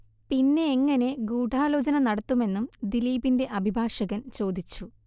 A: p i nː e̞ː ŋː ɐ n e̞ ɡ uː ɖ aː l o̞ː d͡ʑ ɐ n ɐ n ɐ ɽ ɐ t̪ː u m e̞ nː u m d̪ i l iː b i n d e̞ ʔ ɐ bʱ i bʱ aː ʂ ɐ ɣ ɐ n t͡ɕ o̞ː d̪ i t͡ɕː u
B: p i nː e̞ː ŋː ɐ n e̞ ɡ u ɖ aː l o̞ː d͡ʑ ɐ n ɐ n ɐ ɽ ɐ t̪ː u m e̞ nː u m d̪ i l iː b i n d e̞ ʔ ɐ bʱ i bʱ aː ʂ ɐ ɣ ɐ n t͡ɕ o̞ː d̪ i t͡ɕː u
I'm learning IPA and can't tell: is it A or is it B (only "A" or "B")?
A